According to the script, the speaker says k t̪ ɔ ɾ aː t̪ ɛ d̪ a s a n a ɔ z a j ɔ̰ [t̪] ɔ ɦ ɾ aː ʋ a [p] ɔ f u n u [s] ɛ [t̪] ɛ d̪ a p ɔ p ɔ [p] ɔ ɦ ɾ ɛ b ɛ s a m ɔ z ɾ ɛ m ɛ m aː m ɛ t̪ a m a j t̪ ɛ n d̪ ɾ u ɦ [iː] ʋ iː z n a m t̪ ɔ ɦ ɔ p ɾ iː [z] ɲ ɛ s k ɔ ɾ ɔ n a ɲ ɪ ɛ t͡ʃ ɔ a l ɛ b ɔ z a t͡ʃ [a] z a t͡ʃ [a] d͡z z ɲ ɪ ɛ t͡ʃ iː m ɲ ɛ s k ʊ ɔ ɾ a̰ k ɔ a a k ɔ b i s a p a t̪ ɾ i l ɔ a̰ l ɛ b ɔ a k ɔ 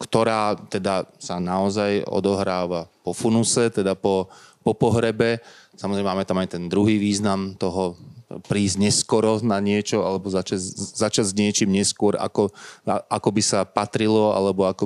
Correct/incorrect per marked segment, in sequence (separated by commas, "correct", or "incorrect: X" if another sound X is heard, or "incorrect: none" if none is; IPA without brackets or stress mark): incorrect: d̪, correct, correct, correct, correct, correct, correct, correct, correct